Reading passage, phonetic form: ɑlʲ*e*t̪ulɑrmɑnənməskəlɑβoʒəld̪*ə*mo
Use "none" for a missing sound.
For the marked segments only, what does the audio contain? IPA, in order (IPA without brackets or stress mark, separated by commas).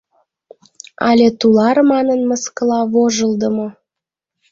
e, ə